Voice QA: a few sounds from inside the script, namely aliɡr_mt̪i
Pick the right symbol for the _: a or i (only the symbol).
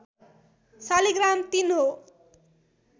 a